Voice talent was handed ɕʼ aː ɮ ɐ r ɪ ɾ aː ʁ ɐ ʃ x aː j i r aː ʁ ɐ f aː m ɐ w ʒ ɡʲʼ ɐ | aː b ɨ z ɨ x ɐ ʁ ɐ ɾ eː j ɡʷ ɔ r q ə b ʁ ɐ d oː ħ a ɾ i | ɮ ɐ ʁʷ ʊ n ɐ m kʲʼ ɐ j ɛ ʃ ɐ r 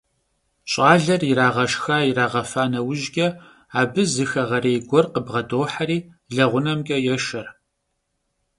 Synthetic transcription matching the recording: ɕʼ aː ɮ ɐ r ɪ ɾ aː ʁ ɐ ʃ x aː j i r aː ʁ ɐ f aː n ɐ w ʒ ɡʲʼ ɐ | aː b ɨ z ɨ x ɐ ʁ ɐ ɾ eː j ɡʷ ɔ r q ə b ʁ ɐ d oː ħ a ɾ iː | ɮ ɐ ʁʷ ʊ n ɐ m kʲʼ ɐ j ɛ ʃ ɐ r